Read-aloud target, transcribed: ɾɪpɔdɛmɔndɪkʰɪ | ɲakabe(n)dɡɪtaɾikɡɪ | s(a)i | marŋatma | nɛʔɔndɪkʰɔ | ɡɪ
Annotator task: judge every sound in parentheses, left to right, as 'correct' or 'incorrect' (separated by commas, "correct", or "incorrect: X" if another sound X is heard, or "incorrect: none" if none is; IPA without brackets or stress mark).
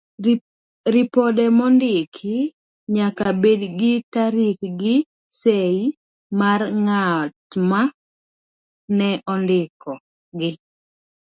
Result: incorrect: none, incorrect: e